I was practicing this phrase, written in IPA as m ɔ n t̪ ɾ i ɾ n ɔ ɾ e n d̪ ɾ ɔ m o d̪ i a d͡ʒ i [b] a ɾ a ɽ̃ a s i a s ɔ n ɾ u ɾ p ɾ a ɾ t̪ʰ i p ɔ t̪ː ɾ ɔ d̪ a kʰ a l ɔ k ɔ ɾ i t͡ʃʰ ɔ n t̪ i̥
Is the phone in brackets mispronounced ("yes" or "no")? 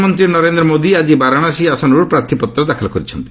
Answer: no